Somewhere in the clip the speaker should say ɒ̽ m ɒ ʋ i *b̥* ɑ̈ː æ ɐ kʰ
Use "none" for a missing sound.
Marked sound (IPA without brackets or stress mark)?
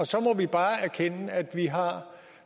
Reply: b̥